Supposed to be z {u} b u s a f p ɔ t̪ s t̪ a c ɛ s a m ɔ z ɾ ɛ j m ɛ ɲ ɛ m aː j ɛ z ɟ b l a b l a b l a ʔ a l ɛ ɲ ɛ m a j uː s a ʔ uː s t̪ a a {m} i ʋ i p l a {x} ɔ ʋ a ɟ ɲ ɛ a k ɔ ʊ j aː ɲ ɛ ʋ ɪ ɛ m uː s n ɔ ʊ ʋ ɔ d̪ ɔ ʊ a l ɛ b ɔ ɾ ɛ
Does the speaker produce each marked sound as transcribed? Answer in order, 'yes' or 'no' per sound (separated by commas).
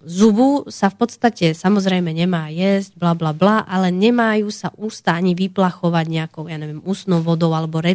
yes, no, yes